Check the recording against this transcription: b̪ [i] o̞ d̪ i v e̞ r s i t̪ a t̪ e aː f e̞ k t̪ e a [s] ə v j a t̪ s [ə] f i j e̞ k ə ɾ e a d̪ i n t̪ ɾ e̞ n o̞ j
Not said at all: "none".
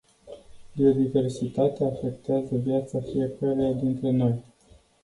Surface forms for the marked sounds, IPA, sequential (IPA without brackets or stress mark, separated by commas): i, z, a